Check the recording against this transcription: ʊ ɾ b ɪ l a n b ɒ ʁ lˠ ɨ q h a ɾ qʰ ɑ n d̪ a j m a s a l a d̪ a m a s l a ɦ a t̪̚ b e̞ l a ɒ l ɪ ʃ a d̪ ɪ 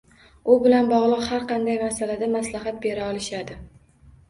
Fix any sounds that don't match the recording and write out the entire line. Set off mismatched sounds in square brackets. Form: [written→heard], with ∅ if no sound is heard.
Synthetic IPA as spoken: ʊ [ɾ→∅] b ɪ l a n b ɒ ʁ lˠ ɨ q h a ɾ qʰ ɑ n d̪ a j m a s a l a d̪ a m a s l a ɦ a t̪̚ b e̞ [l→ɾ] a ɒ l ɪ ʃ a d̪ ɪ